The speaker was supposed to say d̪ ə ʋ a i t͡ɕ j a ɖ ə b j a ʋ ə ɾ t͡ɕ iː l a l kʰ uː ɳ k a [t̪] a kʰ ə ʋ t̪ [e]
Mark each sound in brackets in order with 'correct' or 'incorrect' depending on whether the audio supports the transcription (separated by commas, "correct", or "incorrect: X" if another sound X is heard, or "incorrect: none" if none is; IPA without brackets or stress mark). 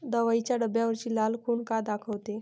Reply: incorrect: d̪, correct